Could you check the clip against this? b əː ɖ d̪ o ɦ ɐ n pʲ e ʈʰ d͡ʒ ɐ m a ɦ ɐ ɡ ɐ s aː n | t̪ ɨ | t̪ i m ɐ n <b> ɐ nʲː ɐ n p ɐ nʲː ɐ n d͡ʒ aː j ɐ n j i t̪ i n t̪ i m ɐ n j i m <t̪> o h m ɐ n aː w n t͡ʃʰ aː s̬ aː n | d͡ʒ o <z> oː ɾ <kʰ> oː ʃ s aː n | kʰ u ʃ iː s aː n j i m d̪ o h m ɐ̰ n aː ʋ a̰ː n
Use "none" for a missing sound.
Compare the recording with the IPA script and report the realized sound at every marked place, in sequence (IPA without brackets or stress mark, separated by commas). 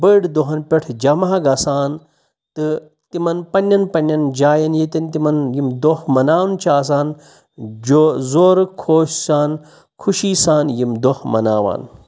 p, d̪, z, kʰ